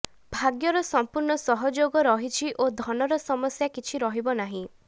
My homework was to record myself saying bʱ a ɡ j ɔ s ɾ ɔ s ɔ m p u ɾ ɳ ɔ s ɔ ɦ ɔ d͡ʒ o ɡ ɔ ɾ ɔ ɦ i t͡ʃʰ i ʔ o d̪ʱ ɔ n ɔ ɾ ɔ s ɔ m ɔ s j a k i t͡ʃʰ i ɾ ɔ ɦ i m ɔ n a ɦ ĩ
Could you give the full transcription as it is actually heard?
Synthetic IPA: bʱ a ɡ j ɔ ɾ ɔ s ɔ m p u ɾ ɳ ɔ s ɔ ɦ ɔ d͡ʒ o ɡ ɔ ɾ ɔ ɦ i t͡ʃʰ i ʔ o d̪ʱ ɔ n ɔ ɾ ɔ s ɔ m ɔ s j a k i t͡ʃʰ i ɾ ɔ ɦ i b ɔ n a ɦ ĩ